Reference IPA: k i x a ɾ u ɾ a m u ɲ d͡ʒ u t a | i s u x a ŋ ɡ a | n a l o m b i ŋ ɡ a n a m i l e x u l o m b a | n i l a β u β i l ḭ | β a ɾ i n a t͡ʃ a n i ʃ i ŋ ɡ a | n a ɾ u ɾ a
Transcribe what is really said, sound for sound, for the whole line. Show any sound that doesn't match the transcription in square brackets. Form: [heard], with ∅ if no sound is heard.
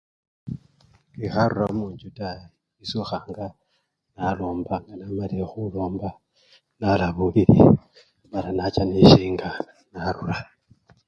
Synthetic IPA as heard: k i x a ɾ u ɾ a m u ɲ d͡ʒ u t a | i s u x a ŋ ɡ a | n a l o m b [a] ŋ ɡ a n a m [a] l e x u l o m b a | n [a] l a β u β i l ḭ | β a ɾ [a] n a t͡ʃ a n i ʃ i ŋ ɡ a | n a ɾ u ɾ a